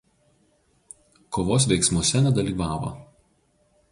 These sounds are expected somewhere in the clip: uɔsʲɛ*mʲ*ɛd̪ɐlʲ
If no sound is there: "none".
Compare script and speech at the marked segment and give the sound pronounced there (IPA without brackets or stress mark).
nʲ